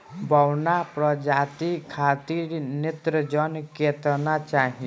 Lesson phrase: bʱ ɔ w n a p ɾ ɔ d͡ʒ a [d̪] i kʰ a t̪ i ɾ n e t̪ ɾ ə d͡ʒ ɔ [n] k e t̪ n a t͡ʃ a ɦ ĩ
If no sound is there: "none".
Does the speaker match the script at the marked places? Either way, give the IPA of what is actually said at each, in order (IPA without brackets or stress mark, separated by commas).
t̪, n